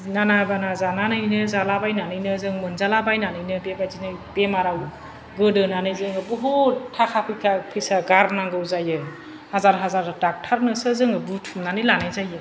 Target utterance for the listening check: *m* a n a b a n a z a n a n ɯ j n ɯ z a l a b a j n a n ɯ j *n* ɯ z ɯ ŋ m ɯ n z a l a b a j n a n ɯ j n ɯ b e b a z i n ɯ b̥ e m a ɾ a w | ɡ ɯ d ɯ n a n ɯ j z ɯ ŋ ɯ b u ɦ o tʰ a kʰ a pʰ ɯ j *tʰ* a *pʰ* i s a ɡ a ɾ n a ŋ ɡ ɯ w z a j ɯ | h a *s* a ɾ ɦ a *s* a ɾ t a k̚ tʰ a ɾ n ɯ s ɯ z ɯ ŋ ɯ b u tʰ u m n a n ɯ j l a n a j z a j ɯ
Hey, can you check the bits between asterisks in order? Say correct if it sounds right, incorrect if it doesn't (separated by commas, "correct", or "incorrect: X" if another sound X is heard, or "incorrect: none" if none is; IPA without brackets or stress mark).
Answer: incorrect: n, correct, incorrect: kʰ, correct, incorrect: z, incorrect: z